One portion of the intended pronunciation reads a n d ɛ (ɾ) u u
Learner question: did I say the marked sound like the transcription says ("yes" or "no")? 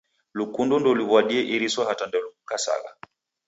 no